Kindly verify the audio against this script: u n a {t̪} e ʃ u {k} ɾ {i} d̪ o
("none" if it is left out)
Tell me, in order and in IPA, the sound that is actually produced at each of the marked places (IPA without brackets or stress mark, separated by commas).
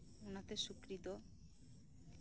t̪, k, i